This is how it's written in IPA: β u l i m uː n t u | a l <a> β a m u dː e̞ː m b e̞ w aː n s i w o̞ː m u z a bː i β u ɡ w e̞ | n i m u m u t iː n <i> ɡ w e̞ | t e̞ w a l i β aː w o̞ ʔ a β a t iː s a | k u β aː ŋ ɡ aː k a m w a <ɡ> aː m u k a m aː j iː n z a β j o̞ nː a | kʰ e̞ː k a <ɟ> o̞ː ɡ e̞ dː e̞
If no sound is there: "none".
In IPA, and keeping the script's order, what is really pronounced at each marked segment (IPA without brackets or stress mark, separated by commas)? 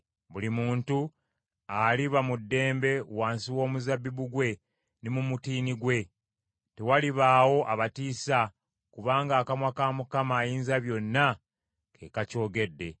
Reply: i, i, k, c